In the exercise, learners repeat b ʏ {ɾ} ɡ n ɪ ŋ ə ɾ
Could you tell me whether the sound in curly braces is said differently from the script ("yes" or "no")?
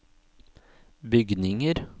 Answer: yes